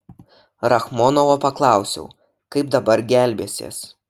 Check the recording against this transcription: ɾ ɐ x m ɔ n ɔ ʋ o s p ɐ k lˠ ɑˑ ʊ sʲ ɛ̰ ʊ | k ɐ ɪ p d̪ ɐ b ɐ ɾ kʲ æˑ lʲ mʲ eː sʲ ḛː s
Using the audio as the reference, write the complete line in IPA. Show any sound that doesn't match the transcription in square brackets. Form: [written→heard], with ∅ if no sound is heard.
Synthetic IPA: ɾ ɐ x m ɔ n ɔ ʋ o [s→∅] p ɐ k lˠ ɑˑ ʊ sʲ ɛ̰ ʊ | k ɐ ɪ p d̪ ɐ b ɐ ɾ [kʲ→ɡʲ] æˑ lʲ [mʲ→bʲ] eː sʲ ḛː s